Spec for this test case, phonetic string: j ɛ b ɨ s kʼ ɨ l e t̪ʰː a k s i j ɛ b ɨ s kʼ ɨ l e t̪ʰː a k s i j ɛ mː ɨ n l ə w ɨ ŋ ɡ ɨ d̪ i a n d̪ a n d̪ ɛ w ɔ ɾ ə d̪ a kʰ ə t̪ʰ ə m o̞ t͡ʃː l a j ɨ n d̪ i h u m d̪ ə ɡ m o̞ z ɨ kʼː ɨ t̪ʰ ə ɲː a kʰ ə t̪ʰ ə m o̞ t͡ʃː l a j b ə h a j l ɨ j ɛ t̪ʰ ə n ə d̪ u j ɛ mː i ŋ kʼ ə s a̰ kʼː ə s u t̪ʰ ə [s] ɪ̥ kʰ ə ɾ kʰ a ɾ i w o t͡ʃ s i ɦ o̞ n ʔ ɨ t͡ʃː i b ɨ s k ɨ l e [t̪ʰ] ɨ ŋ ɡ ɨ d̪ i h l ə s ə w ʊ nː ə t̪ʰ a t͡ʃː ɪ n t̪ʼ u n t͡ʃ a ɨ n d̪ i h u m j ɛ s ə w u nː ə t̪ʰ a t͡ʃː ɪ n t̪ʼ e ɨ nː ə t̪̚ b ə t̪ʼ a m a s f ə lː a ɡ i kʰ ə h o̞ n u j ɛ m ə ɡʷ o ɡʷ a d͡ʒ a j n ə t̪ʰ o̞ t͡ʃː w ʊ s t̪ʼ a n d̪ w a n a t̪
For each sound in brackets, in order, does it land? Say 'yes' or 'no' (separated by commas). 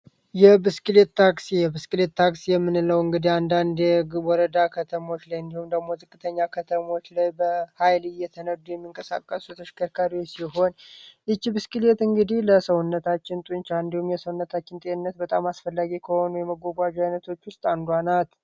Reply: no, no